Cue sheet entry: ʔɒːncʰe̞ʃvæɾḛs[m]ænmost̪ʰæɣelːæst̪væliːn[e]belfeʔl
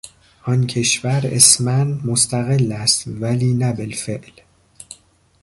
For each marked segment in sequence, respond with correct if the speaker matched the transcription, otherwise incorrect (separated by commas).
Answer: correct, incorrect